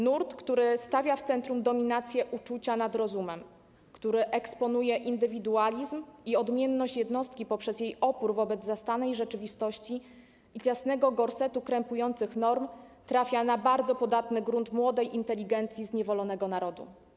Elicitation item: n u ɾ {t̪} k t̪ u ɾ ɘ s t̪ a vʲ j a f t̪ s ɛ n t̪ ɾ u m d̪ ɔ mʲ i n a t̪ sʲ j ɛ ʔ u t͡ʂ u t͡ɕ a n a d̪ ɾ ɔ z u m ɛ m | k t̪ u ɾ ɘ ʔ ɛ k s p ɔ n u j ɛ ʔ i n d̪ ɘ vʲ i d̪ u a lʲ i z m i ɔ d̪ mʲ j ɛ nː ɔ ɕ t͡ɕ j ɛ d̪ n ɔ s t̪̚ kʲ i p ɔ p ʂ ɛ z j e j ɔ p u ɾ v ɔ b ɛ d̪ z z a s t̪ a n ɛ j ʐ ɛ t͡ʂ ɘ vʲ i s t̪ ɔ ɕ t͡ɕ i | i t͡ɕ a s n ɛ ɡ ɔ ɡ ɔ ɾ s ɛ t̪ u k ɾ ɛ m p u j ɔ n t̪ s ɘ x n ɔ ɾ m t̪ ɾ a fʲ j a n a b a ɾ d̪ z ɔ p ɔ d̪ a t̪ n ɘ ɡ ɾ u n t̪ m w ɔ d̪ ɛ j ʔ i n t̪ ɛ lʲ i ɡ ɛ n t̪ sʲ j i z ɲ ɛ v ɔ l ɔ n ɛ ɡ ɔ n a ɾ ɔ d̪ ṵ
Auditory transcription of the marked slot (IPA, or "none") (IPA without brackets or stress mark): t̪